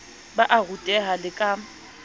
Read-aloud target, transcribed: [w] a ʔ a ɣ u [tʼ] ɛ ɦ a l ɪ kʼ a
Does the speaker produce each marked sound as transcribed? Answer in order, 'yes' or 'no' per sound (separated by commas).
no, yes